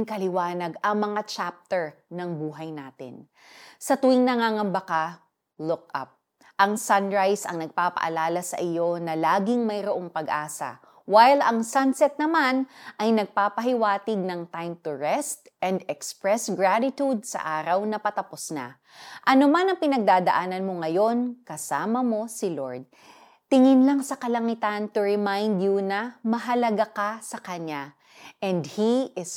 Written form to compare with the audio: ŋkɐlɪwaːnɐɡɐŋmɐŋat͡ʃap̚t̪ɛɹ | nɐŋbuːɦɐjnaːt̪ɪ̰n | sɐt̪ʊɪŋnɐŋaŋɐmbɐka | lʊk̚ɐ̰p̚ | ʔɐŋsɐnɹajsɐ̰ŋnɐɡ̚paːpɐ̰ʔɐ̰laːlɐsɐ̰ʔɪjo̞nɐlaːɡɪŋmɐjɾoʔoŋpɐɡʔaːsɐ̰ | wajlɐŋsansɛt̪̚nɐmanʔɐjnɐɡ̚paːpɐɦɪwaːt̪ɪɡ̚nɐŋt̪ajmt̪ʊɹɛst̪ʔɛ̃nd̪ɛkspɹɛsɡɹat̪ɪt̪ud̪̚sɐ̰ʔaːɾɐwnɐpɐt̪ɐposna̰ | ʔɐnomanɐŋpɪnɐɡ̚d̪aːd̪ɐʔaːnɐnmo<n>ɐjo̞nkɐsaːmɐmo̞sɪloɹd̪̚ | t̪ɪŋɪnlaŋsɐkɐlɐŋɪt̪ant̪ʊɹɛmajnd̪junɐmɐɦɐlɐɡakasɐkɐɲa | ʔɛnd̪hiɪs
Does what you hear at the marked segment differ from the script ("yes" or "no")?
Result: yes